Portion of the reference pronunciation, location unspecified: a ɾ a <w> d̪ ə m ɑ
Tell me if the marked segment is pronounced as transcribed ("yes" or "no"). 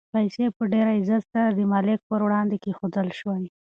no